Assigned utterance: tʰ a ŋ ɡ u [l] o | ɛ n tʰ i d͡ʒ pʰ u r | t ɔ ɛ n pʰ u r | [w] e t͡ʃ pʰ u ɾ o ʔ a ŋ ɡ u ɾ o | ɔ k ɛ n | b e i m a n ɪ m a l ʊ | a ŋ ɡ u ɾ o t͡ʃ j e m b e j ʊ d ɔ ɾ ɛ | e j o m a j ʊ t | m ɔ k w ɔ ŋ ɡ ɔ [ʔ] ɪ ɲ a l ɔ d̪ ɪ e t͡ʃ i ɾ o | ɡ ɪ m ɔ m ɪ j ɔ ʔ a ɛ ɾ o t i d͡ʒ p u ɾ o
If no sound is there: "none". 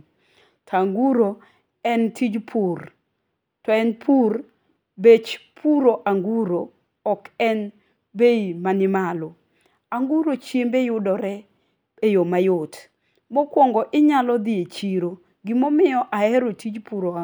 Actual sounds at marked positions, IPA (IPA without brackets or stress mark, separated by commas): ɾ, b, ʔ